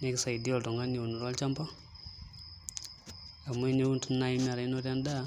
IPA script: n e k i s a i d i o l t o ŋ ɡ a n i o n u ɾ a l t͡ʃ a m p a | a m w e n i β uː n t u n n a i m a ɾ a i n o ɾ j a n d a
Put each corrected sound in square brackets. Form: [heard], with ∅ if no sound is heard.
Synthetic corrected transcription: n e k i s a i d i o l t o ŋ ɡ a n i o n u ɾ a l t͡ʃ a m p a | a m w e n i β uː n t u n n a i m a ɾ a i n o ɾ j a n d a